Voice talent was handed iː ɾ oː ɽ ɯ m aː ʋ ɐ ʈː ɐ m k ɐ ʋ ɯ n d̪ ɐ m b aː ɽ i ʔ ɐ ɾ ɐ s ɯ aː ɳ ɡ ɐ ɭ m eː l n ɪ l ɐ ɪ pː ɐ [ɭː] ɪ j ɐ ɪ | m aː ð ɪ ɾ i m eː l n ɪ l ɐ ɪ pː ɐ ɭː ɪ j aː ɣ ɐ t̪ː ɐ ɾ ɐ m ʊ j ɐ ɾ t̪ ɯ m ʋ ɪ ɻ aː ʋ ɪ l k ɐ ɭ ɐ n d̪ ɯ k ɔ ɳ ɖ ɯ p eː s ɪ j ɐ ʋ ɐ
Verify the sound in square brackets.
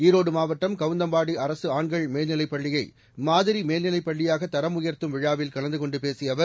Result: correct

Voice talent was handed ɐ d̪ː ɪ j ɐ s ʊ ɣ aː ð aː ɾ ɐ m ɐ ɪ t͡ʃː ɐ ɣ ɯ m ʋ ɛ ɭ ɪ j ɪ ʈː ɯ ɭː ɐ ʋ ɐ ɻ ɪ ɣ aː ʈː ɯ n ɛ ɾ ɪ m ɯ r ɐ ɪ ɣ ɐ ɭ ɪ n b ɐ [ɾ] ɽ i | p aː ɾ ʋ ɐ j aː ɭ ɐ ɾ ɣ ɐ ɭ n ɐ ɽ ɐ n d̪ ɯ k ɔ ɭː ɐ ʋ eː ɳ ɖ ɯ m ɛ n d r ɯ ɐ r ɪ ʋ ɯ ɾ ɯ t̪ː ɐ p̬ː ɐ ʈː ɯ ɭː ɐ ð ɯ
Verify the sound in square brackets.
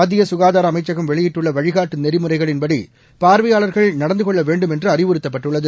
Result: incorrect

